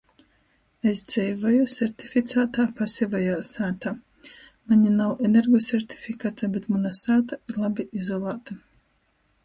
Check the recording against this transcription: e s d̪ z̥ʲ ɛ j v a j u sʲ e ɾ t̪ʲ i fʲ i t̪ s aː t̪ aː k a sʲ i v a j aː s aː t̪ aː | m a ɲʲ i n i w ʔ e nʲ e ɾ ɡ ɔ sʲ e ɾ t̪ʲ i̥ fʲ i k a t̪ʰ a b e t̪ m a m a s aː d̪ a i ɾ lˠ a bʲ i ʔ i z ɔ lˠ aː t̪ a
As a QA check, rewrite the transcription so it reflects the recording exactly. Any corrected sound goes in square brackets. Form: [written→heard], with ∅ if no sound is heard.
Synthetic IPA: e s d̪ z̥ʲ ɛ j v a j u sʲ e ɾ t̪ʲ i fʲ i t̪ s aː t̪ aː [k→p] a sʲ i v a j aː s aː t̪ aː | m a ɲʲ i n [i→a] w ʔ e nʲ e ɾ ɡ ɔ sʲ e ɾ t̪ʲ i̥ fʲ i k a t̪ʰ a b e t̪ m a [m→n] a s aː [d̪→t̪] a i ɾ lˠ a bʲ i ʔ i z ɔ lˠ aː t̪ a

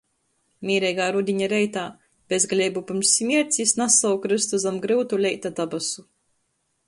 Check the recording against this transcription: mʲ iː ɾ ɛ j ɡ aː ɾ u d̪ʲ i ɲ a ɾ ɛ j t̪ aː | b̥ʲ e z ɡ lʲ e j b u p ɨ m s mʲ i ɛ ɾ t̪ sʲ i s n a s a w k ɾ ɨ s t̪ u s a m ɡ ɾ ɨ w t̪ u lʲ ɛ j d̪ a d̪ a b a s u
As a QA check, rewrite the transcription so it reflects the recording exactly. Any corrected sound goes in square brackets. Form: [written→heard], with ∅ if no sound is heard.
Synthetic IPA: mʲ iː ɾ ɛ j ɡ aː ɾ u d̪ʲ i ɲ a ɾ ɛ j t̪ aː | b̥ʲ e z ɡ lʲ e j b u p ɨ m s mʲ i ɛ ɾ t̪ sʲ i s n a s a w k ɾ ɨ s t̪ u [s→z] a m ɡ ɾ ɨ w t̪ u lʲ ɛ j [d̪→t̪] a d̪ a b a s u

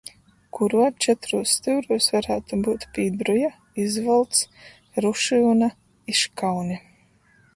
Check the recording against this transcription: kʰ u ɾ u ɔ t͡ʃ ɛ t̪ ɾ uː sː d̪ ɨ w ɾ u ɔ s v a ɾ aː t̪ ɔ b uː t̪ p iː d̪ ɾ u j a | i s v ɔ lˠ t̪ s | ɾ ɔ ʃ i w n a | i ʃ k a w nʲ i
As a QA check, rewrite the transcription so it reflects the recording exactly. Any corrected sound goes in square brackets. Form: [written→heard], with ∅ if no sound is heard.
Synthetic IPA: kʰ u ɾ u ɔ t͡ʃ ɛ t̪ ɾ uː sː [d̪→t̪] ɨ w ɾ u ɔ s v a ɾ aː t̪ [ɔ→u] b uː t̪ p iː d̪ ɾ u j a | i [s→z] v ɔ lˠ t̪ s | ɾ [ɔ→u] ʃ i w n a | i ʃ k a w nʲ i

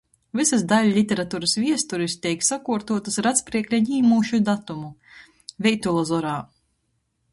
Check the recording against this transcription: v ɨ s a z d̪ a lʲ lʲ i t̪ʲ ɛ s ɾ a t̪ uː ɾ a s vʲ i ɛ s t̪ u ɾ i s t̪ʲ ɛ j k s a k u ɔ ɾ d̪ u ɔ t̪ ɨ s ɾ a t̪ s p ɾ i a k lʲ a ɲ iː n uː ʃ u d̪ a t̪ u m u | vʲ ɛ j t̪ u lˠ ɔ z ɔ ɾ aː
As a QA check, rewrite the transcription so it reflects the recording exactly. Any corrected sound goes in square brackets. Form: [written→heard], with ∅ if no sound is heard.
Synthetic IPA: v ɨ s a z d̪ a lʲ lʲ i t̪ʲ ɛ [s→∅] ɾ a t̪ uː ɾ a s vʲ i ɛ s t̪ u ɾ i s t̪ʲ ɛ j k s a k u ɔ ɾ [d̪→t̪] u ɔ t̪ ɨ s ɾ a t̪ s p ɾ i [a→ɛ] k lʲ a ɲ iː [n→m] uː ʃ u d̪ a t̪ u m u | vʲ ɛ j t̪ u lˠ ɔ z ɔ ɾ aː

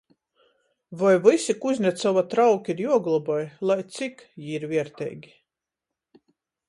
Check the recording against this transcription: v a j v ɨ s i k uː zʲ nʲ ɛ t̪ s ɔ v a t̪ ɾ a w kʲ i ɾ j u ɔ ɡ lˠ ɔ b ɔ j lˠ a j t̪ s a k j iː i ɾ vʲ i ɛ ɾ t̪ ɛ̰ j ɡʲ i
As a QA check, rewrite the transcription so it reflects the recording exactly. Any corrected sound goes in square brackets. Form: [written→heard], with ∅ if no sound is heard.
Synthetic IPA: v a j v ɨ s i k [uː→u] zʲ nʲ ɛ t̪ s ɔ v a t̪ ɾ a w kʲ i ɾ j u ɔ ɡ lˠ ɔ b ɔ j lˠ a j t̪ s [a→i] k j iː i ɾ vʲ i ɛ ɾ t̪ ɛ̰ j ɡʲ i

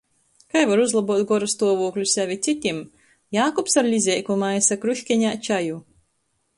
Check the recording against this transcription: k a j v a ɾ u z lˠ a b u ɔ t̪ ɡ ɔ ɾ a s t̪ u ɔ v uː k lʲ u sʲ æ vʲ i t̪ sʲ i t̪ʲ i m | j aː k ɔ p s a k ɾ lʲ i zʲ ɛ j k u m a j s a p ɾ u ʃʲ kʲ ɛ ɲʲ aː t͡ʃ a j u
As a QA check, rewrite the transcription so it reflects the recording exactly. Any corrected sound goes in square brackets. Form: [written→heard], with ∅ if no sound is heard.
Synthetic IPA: k a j v a ɾ u z lˠ a b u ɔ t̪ ɡ ɔ ɾ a s t̪ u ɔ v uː k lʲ u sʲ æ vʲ i t̪ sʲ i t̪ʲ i m | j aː k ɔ p s a [k→∅] ɾ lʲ i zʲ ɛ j k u m a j s a [p→k] ɾ u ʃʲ kʲ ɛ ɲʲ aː t͡ʃ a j u

